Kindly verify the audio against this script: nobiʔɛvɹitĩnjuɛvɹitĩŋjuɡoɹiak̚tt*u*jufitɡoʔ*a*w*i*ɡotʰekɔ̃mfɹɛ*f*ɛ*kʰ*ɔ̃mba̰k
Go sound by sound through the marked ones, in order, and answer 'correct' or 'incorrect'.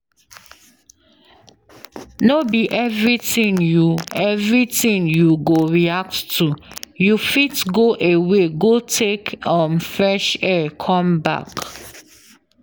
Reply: correct, incorrect: e, incorrect: e, incorrect: ʃ, correct

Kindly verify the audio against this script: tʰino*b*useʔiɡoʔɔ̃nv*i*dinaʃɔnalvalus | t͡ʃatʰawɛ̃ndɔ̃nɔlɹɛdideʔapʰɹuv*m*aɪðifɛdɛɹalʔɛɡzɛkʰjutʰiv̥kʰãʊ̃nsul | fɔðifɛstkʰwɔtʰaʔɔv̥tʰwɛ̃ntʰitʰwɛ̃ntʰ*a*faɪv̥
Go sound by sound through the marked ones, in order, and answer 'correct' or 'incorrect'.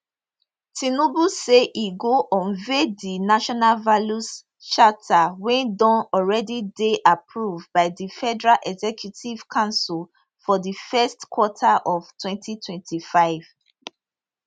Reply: correct, incorrect: e, incorrect: b, incorrect: i

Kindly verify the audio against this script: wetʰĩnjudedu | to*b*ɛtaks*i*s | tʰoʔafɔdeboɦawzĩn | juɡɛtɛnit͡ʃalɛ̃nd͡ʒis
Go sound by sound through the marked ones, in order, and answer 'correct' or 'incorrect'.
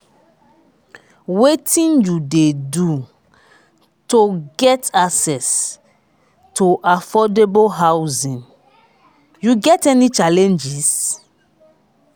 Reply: incorrect: ɡ, incorrect: ɛ

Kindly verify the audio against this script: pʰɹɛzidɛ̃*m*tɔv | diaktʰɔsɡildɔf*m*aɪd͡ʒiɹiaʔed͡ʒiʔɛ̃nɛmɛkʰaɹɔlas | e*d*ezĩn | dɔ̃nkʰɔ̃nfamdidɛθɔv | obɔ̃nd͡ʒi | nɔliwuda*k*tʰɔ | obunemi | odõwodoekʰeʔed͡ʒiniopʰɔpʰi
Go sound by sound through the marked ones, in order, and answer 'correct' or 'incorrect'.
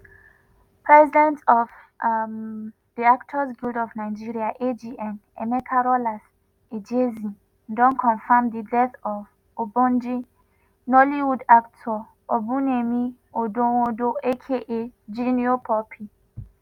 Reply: incorrect: n, incorrect: n, incorrect: d͡ʒ, correct

